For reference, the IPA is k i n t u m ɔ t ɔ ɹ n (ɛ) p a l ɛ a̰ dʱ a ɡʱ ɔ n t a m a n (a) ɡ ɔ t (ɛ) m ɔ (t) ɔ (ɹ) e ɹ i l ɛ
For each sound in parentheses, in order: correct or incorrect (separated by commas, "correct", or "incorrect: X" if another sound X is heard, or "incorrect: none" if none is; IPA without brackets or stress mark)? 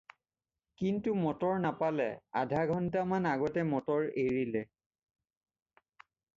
incorrect: a, correct, correct, correct, correct